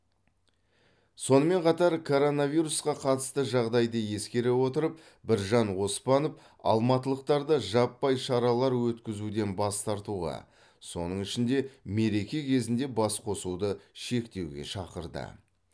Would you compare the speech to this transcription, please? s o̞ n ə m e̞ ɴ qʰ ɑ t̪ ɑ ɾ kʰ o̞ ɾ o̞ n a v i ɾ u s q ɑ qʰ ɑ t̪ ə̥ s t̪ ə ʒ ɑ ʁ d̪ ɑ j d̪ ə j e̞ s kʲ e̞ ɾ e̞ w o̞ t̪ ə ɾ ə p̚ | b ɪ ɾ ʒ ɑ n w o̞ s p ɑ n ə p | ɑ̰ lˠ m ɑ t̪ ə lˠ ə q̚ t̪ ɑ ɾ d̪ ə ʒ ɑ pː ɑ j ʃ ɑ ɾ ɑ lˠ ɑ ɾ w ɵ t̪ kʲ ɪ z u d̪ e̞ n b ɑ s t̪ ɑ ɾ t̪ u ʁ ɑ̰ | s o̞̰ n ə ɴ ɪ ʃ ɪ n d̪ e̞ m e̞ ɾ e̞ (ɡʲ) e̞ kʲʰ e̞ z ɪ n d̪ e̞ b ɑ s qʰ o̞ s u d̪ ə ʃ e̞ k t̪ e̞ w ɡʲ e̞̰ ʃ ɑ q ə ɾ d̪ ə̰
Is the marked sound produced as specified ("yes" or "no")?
no